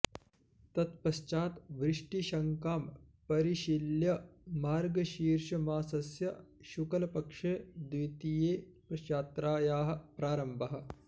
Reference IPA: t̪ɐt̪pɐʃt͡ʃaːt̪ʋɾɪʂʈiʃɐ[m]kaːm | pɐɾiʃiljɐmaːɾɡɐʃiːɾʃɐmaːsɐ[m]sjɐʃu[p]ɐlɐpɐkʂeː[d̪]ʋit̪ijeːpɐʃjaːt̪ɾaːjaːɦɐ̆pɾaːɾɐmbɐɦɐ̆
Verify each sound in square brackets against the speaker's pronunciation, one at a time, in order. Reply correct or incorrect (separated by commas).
incorrect, incorrect, incorrect, correct